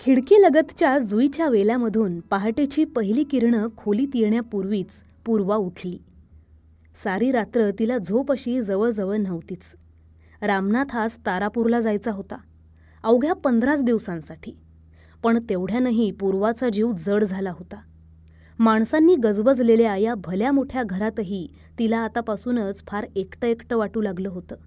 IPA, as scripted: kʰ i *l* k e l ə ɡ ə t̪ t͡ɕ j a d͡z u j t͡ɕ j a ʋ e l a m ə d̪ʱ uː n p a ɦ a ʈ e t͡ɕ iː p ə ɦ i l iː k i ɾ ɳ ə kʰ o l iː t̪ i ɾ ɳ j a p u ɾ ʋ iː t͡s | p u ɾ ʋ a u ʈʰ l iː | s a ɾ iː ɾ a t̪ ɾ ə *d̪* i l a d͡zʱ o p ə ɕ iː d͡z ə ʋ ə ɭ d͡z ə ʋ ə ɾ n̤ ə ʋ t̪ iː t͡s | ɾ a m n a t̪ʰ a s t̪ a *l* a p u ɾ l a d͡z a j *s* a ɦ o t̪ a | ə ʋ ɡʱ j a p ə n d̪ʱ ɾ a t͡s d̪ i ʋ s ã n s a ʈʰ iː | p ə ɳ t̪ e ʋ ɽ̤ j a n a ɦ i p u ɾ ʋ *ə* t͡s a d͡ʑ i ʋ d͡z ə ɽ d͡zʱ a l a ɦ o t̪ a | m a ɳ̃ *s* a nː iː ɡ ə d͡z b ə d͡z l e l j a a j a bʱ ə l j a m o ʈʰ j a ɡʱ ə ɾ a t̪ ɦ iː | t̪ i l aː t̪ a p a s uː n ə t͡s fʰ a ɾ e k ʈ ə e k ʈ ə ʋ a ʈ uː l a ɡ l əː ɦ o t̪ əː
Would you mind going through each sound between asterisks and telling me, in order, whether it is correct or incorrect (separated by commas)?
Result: incorrect, incorrect, incorrect, incorrect, incorrect, correct